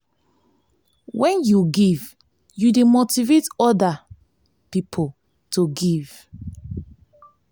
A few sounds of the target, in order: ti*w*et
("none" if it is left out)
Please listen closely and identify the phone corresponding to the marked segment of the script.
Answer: v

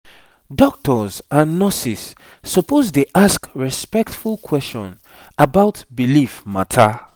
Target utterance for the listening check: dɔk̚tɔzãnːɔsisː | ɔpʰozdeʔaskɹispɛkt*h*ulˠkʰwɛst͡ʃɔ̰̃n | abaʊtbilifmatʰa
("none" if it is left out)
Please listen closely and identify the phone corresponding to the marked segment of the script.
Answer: f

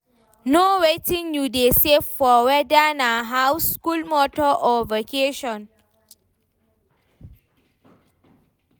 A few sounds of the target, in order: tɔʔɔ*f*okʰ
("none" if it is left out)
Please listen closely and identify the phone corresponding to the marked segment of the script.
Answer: v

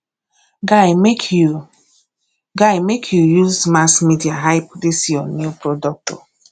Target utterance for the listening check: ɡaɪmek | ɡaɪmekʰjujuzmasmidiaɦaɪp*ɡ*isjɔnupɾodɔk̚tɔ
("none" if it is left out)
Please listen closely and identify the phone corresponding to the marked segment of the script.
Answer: d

